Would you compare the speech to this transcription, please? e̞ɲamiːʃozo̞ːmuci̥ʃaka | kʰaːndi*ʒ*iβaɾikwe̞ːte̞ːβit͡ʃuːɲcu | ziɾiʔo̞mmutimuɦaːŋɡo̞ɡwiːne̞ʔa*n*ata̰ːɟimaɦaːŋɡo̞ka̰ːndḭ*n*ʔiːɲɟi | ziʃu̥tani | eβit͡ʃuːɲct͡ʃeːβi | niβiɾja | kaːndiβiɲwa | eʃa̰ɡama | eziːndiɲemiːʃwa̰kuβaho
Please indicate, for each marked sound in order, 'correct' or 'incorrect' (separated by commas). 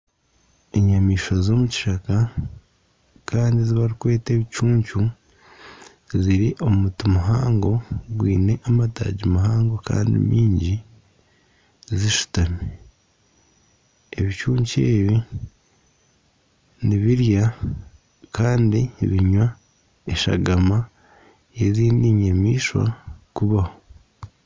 incorrect, incorrect, incorrect